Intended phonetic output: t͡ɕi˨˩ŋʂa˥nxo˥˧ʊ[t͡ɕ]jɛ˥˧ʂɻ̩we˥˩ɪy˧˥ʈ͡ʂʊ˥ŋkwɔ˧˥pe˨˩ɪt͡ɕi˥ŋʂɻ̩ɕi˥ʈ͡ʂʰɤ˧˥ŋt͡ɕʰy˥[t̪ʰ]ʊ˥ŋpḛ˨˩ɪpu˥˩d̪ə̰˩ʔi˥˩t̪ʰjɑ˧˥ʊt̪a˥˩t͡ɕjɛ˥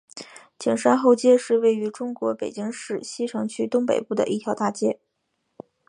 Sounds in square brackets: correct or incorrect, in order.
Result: correct, incorrect

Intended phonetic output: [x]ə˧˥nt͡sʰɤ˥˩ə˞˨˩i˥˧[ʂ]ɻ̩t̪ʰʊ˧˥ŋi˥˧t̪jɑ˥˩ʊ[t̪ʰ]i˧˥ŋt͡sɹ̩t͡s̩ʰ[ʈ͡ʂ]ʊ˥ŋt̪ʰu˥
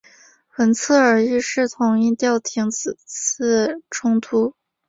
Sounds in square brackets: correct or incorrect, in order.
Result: correct, correct, correct, incorrect

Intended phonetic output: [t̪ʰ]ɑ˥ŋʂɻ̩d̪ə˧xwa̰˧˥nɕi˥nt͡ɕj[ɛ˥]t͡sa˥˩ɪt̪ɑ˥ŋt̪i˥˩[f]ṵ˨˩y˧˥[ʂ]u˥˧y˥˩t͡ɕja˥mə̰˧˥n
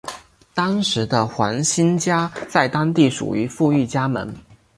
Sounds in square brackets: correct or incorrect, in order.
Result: incorrect, incorrect, incorrect, incorrect

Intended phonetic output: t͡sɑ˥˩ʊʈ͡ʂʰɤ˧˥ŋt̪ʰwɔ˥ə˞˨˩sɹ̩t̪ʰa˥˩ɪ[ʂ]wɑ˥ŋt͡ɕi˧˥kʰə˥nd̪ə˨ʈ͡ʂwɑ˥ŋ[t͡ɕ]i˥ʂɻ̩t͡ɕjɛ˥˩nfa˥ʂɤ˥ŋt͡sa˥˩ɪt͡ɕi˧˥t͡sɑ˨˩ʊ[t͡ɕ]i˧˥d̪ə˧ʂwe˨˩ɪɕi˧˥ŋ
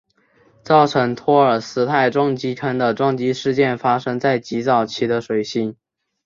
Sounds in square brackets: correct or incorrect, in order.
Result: incorrect, correct, incorrect

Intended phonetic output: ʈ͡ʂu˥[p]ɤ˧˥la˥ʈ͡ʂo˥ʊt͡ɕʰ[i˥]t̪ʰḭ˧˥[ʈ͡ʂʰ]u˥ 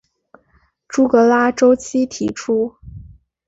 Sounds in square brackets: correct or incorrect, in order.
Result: incorrect, correct, correct

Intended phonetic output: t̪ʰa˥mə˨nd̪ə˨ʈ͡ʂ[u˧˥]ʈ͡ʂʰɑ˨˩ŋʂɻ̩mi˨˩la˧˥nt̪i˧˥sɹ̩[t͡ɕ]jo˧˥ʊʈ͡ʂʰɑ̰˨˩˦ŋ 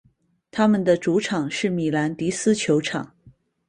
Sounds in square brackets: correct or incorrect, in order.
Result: correct, incorrect

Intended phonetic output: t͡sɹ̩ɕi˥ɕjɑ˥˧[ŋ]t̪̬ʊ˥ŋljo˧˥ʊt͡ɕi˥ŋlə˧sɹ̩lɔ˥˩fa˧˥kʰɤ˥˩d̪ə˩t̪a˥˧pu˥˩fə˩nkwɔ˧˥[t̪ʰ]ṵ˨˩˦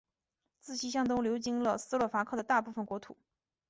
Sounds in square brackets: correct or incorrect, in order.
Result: correct, correct

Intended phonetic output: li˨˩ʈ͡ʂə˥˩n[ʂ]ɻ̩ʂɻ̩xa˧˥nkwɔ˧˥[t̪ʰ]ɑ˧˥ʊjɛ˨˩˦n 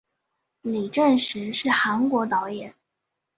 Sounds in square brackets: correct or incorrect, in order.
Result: correct, incorrect

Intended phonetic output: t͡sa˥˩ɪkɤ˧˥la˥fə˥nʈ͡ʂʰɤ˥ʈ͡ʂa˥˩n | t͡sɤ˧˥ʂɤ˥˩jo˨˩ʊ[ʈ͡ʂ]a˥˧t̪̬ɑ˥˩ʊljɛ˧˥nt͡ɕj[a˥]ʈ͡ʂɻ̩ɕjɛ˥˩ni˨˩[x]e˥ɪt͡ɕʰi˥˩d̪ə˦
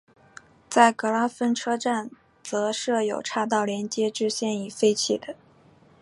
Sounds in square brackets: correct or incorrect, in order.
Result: incorrect, incorrect, incorrect

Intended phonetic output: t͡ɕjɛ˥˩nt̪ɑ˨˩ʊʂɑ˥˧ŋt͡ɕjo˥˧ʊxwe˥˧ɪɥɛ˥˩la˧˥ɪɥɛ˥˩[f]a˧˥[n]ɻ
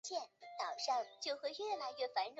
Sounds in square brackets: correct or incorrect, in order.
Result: correct, correct

